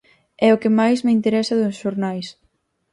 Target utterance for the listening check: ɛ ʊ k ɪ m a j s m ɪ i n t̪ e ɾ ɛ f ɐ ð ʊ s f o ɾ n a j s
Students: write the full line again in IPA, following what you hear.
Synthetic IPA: ɛ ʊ k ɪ m a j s m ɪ i n t̪ e ɾ ɛ s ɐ ð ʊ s ʃ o ɾ n a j s